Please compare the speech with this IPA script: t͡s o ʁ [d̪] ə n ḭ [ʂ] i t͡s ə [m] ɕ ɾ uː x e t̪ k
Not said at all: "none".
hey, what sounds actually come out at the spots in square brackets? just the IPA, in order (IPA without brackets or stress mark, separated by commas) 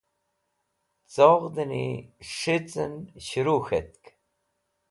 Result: d̪, ʂ, n